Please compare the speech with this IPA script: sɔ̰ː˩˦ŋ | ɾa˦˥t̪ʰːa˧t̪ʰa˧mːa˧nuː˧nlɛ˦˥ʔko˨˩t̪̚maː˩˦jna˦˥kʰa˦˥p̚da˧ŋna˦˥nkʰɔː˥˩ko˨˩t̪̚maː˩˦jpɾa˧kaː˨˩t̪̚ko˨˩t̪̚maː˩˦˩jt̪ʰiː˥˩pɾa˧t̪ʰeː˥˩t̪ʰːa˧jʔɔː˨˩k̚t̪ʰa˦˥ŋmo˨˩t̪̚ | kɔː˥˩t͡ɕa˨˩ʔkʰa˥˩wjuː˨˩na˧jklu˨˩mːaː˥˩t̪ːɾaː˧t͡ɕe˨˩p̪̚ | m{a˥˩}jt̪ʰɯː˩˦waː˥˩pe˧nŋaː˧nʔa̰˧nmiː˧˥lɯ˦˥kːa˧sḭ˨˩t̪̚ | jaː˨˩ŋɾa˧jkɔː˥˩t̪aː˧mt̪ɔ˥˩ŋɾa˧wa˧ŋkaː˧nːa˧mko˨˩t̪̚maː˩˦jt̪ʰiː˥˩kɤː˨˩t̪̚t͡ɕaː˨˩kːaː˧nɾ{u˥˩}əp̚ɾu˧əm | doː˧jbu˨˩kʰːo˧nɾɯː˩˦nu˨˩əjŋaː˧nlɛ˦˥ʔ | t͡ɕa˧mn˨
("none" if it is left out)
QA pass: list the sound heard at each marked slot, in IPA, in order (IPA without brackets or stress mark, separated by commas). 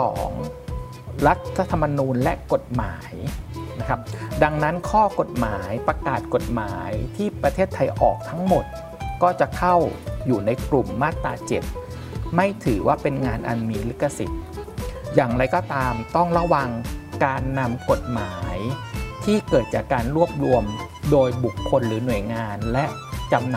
a˥˩, u˥˩